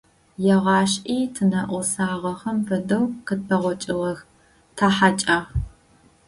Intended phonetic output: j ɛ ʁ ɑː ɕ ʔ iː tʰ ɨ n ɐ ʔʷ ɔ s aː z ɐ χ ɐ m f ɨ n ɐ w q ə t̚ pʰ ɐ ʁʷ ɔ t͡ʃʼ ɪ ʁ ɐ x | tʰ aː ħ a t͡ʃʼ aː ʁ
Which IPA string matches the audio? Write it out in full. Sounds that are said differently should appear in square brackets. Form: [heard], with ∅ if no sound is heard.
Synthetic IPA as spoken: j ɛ ʁ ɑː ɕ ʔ iː tʰ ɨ n ɐ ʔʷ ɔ s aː [ʁ] ɐ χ ɐ m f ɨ [d] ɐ w q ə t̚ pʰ ɐ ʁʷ ɔ t͡ʃʼ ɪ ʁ ɐ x | tʰ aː ħ a t͡ʃʼ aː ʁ